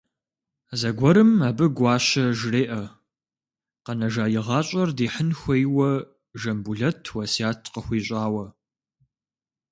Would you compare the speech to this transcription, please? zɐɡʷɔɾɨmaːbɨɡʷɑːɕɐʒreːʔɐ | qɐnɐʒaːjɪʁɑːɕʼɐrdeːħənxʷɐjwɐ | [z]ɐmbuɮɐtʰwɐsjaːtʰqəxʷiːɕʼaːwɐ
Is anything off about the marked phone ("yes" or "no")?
yes